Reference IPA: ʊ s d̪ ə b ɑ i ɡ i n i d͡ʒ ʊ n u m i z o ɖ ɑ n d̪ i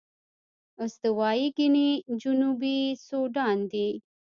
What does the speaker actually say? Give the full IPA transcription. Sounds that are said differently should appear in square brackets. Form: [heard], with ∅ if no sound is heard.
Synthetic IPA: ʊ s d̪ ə [w] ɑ i ɡ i n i d͡ʒ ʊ n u [b] i [s] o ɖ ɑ n d̪ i